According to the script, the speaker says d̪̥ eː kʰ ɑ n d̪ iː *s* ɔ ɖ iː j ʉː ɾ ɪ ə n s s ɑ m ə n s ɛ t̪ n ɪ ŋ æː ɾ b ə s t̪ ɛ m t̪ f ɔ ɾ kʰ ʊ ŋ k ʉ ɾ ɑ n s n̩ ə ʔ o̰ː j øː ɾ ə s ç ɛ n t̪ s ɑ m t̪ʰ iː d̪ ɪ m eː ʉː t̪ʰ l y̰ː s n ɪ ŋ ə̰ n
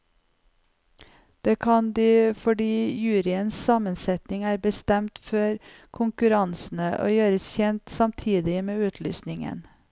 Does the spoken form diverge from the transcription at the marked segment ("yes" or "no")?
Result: yes